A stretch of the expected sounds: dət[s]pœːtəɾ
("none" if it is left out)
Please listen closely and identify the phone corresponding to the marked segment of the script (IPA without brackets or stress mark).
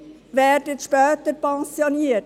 ʃ